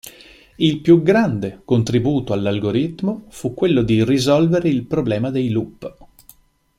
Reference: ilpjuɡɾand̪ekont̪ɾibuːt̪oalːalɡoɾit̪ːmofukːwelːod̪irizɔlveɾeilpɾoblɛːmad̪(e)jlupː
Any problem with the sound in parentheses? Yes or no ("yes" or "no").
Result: no